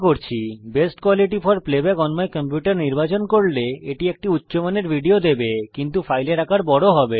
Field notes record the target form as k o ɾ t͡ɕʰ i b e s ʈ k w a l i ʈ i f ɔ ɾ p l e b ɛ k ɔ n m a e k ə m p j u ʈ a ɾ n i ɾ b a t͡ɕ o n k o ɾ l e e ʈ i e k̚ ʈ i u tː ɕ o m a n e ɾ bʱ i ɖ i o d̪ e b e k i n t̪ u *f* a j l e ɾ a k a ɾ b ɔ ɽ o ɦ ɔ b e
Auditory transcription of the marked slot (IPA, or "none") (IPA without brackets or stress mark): f